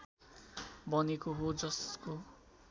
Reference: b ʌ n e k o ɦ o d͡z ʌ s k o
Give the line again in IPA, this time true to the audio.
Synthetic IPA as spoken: b ʌ n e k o ɦ o d͡z ʌ s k o